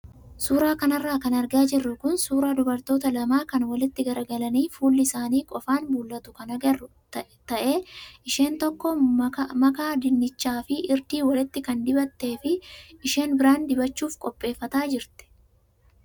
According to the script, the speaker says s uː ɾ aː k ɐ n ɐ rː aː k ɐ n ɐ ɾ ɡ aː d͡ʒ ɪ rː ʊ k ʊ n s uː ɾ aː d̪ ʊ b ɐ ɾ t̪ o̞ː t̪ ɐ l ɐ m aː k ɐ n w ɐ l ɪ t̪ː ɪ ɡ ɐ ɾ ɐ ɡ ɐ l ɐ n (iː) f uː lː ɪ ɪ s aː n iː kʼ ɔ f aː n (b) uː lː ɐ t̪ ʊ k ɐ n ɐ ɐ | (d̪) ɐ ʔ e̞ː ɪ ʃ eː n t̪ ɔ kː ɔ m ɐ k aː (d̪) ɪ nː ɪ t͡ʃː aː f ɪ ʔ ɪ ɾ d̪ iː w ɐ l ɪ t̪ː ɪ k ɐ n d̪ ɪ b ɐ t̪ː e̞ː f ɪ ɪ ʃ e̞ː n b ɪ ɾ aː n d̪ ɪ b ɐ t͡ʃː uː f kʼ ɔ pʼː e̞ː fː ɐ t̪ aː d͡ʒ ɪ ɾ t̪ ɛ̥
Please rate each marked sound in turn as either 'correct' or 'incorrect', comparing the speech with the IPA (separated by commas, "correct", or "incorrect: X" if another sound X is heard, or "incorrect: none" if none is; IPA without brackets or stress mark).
correct, correct, incorrect: t̪, correct